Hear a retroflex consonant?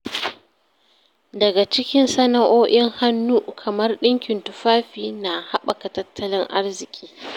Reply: no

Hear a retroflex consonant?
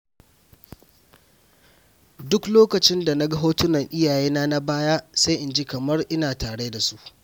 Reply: yes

